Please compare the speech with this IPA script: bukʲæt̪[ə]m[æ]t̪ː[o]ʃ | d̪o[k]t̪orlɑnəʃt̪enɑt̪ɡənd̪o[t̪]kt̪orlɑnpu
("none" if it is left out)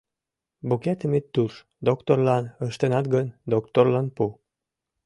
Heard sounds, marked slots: ə, e, u, k, none

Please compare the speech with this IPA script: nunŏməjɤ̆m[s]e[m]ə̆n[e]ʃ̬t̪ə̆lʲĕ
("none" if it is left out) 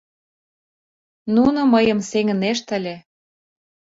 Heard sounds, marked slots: s, ŋ, e

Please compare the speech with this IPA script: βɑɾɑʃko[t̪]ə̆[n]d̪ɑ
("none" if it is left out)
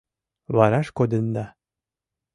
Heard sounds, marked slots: d̪, n

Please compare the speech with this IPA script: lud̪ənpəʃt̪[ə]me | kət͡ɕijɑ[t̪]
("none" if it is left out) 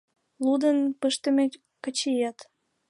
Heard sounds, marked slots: ə, t̪

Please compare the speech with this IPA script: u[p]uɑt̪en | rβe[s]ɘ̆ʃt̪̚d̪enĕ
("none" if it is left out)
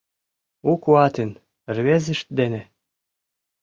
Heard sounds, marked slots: k, z

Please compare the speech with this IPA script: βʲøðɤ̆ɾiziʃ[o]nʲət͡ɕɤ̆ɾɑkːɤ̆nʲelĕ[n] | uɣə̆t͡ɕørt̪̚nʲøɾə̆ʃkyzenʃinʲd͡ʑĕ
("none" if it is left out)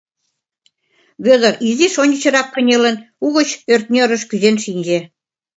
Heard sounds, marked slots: o, n

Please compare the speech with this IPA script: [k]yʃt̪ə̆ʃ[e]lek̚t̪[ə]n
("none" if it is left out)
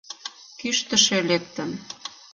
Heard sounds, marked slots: k, e, ə

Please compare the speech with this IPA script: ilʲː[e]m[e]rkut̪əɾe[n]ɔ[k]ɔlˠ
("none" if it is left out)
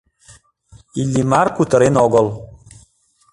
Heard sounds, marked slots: i, a, n, ɡ

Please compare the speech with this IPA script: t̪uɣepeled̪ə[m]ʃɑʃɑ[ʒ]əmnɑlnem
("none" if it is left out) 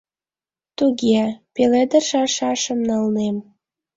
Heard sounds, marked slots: none, ʃ

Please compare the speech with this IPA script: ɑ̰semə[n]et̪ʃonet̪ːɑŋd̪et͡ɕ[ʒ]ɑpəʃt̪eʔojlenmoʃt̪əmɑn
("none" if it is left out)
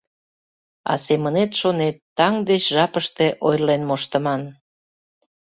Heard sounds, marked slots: n, ʒ

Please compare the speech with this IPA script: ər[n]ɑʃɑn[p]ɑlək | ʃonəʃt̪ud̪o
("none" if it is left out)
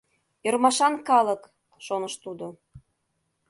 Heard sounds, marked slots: m, k

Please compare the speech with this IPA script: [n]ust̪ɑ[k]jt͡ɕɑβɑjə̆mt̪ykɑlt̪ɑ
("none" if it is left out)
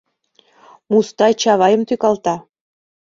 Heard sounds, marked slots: m, none

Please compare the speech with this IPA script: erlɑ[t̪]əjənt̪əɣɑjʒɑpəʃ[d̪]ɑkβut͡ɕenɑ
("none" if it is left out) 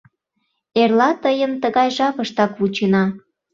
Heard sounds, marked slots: t̪, t̪

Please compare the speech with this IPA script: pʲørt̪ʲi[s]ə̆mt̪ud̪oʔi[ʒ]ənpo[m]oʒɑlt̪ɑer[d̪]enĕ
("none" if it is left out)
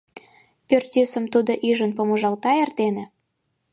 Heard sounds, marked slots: s, ʒ, m, t̪

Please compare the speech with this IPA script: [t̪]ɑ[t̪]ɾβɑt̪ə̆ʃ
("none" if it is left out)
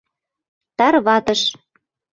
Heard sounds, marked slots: t̪, none

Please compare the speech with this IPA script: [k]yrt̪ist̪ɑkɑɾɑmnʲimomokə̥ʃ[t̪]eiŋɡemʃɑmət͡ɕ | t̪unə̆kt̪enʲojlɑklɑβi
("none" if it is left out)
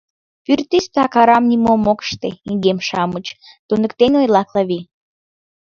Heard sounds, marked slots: p, t̪

